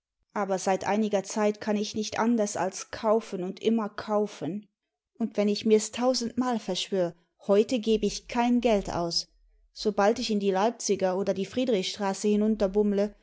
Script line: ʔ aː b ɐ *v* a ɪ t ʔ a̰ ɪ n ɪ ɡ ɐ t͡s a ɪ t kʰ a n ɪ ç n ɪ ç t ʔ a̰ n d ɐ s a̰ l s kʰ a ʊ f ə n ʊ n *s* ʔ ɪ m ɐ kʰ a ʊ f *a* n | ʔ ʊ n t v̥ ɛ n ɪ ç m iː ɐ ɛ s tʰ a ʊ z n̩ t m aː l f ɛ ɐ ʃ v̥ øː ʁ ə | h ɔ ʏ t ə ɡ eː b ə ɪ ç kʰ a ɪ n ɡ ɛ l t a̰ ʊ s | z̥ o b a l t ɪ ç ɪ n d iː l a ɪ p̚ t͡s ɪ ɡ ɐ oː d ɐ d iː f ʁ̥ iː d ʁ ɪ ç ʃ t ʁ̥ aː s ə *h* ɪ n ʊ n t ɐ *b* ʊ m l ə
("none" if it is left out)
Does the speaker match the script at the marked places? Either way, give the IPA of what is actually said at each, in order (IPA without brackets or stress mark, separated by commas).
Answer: z, t, ə, h, b